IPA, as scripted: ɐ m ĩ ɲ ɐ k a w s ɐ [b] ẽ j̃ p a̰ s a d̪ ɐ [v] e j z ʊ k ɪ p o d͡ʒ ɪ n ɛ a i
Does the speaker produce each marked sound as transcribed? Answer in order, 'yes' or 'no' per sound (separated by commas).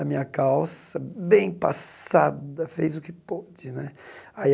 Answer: yes, no